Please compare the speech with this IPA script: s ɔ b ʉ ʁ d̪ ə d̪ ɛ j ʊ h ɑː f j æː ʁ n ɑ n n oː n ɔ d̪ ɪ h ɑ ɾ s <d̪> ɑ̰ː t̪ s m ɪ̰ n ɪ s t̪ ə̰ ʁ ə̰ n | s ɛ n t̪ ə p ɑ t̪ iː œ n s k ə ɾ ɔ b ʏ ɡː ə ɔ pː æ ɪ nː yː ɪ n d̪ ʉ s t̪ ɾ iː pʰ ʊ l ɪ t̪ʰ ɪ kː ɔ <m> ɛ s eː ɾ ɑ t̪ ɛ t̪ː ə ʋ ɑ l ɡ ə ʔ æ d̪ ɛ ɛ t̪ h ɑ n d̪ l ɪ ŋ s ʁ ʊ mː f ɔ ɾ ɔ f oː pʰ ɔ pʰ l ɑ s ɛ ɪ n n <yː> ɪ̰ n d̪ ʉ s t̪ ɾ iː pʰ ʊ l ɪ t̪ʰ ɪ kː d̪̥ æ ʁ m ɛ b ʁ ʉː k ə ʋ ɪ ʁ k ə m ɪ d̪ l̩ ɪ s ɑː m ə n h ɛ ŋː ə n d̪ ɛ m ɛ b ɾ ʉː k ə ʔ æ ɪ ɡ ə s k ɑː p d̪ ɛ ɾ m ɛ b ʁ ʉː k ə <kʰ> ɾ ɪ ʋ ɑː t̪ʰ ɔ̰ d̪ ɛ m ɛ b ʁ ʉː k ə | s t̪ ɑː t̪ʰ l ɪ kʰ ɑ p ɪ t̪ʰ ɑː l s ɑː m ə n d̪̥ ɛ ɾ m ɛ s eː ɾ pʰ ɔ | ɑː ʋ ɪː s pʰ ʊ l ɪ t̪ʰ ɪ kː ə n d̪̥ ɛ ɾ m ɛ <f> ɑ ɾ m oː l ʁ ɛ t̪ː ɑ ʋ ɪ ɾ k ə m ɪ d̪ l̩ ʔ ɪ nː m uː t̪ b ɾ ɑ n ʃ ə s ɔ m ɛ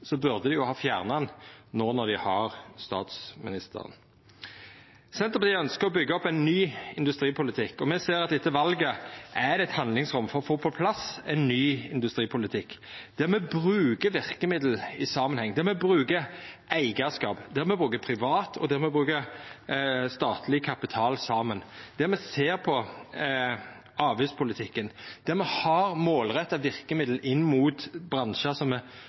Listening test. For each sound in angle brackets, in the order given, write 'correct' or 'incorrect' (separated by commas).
incorrect, correct, correct, incorrect, incorrect